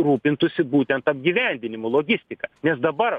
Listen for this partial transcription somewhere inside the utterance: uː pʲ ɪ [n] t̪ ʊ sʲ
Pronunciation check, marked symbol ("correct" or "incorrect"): correct